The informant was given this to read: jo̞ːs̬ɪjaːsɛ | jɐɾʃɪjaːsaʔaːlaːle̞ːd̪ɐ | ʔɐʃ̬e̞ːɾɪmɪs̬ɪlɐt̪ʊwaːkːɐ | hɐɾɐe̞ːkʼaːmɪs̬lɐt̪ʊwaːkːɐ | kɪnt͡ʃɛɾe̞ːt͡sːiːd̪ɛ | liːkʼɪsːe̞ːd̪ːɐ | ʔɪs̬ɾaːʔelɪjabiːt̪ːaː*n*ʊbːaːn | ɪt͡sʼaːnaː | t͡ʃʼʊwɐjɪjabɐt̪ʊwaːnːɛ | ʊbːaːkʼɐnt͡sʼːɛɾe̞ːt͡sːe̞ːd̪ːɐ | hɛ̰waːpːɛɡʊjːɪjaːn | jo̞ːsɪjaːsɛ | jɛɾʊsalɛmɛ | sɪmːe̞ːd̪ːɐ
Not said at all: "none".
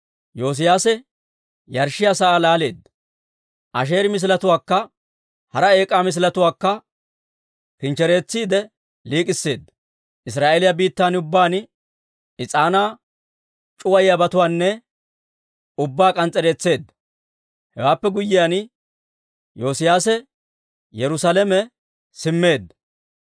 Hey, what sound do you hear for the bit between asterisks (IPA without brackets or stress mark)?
n